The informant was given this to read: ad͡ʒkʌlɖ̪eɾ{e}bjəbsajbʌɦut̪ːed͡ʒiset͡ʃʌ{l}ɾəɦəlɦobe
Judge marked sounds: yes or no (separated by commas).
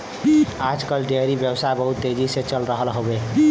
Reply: no, yes